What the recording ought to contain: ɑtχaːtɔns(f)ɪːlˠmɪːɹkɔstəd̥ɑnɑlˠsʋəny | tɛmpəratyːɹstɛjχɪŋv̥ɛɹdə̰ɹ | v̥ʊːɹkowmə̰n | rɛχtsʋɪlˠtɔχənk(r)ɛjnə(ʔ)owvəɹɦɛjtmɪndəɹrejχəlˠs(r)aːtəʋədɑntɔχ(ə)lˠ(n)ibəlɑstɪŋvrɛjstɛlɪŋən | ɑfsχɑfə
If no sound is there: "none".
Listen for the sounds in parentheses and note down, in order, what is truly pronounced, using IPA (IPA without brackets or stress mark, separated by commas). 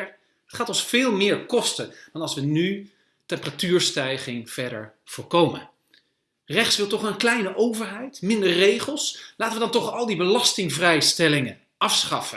f, l, ʔ, l, ɑ, d